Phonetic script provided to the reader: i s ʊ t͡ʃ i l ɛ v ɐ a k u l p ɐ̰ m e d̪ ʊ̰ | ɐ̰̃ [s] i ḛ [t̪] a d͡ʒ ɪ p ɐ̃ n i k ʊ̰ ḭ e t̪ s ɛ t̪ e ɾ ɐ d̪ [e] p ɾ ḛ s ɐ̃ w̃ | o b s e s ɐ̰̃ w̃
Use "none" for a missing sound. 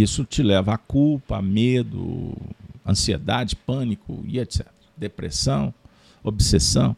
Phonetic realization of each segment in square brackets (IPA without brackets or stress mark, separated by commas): s, d̪, e